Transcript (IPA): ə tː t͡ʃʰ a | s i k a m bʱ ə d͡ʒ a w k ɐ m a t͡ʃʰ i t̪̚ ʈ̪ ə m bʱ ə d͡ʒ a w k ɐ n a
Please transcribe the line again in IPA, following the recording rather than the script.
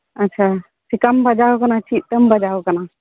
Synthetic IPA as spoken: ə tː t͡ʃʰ a | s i k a m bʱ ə d͡ʒ a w k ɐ n a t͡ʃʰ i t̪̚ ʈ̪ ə m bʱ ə d͡ʒ a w k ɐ n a